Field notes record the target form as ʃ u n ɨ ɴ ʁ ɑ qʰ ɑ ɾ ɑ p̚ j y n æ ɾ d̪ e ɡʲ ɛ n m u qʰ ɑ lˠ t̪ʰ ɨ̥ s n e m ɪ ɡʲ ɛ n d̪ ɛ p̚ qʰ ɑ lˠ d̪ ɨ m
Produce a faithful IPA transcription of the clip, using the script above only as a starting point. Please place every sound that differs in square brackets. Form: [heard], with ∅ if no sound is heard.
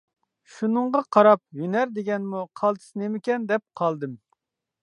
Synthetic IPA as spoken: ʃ u n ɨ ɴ ʁ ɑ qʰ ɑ ɾ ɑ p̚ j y n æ ɾ d̪ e ɡʲ ɛ n m u qʰ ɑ lˠ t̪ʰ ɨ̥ s n e m ɪ [kʲ] ɛ n d̪ ɛ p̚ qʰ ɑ lˠ d̪ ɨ m